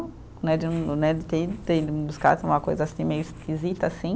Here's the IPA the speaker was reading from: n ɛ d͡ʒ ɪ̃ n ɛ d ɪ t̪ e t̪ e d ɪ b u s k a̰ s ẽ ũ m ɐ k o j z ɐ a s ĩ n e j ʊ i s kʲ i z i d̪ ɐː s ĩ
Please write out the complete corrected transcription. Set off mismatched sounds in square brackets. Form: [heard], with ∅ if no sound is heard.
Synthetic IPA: n ɛ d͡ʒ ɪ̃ n ɛ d ɪ t̪ e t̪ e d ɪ b u s k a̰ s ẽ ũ m ɐ k o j z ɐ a s ĩ [m] e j ʊ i s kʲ i z i [t̪] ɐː s ĩ